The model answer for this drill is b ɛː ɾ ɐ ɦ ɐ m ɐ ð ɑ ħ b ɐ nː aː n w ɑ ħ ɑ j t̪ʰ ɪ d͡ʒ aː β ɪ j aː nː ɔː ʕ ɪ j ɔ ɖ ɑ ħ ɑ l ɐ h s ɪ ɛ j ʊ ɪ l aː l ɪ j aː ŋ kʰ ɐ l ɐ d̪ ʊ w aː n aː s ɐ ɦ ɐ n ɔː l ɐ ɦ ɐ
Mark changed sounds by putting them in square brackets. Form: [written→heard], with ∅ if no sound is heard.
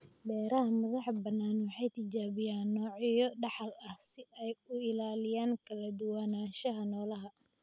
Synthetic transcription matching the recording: b ɛː ɾ ɐ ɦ ɐ m ɐ ð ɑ ħ b ɐ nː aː n w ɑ ħ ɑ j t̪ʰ ɪ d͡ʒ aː β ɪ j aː nː ɔː ʕ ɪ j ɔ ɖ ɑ ħ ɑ l ɐ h s ɪ ɛ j ʊ ɪ l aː l ɪ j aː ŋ kʰ ɐ l ɐ d̪ ʊ w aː n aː [s→ʃ] ɐ ɦ ɐ n ɔː l ɐ ɦ ɐ